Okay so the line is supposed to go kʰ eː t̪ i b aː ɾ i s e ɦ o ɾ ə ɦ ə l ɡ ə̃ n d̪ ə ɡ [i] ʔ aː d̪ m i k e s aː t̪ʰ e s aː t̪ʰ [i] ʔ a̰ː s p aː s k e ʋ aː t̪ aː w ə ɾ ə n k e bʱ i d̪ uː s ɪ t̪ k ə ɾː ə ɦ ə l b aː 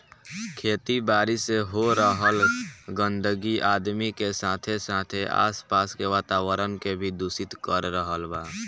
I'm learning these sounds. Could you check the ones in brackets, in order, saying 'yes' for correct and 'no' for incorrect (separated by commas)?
yes, no